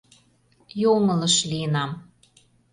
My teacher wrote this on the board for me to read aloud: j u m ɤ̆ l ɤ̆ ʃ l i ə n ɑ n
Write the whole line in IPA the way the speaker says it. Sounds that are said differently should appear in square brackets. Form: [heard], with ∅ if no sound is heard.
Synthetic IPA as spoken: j [o] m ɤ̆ l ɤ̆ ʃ l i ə n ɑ [m]